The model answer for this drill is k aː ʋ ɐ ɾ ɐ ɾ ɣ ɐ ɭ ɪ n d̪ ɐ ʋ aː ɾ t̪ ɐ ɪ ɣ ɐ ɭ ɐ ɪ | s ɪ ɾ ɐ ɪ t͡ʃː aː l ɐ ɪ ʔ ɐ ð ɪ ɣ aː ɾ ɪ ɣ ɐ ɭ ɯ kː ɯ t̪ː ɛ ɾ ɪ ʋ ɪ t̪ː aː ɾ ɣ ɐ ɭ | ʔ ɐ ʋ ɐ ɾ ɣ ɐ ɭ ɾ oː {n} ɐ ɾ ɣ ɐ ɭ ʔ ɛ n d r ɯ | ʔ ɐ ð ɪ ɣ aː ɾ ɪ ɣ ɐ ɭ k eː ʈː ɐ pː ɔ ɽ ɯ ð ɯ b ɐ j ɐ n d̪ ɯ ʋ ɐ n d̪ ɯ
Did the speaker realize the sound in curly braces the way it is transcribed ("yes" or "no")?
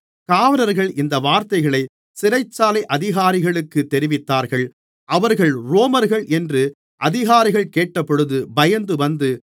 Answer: no